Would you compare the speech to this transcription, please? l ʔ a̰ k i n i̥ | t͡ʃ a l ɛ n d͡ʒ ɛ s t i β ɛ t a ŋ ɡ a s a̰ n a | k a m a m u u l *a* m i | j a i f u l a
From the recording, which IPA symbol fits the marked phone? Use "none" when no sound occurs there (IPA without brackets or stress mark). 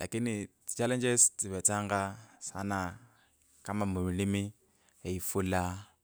i